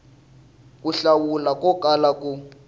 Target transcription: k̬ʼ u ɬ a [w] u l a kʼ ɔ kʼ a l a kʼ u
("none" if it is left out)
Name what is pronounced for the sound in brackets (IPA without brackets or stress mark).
w